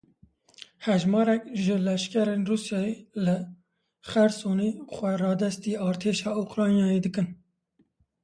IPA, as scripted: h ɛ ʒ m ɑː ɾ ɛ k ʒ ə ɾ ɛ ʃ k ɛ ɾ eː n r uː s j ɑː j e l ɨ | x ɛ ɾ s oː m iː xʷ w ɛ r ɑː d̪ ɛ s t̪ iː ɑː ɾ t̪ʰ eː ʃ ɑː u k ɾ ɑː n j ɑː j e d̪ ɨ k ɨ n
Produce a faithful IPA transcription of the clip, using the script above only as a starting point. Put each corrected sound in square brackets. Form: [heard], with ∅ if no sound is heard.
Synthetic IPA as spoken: h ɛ ʒ m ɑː ɾ ɛ k ʒ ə [l] ɛ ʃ k ɛ ɾ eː n r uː s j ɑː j e l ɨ | x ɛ ɾ s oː [n] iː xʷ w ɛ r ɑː d̪ ɛ s t̪ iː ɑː ɾ t̪ʰ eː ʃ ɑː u k ɾ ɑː n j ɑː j e d̪ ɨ k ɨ n